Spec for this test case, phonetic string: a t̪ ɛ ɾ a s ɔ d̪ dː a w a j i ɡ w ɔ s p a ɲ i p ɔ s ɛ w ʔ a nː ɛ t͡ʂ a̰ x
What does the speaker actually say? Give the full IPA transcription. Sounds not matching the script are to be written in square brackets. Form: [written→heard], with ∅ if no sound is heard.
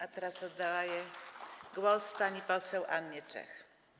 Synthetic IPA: a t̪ ɛ ɾ a s ɔ d̪ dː a w a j [i→ɛ] ɡ w ɔ s p a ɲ i p ɔ s ɛ w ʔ a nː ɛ t͡ʂ [a̰→ɛ̰] x